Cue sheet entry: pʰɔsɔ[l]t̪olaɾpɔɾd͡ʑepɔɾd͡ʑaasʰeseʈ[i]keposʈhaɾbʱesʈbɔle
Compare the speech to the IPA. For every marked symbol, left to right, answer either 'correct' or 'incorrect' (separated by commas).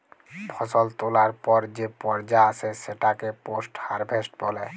correct, incorrect